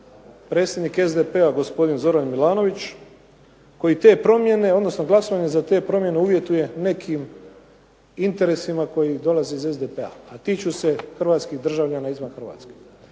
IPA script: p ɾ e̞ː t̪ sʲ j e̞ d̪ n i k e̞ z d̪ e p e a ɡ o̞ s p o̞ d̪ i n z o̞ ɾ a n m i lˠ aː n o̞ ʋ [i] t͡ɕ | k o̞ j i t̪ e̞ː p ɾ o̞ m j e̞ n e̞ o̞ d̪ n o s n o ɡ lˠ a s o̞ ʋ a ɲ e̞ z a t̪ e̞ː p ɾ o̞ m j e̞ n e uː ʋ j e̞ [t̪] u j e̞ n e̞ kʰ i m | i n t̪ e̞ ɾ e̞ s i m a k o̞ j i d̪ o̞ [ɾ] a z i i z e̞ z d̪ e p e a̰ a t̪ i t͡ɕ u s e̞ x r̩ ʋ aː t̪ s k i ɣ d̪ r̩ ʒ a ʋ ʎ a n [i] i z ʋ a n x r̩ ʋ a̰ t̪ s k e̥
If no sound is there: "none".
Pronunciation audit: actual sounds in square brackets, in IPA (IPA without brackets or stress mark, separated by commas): i, t̪, l, a